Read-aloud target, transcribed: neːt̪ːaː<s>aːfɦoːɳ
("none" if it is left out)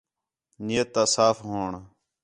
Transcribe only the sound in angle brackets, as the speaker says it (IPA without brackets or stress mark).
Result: s